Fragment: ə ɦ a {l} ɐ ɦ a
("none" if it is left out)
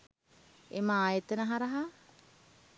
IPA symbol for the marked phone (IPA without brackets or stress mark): ɾ